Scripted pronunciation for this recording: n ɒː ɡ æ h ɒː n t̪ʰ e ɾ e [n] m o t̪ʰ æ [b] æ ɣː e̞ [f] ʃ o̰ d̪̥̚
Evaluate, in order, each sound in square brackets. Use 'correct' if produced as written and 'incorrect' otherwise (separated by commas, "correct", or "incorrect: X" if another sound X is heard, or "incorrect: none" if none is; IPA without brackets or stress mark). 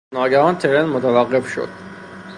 correct, incorrect: v, correct